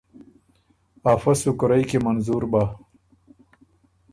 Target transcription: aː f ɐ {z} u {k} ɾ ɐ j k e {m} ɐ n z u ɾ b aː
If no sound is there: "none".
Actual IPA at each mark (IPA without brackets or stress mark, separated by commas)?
s, k, m